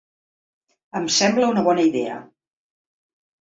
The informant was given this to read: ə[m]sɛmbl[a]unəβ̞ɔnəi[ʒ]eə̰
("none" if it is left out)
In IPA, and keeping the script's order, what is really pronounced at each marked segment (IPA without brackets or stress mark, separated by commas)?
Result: m, ə, ð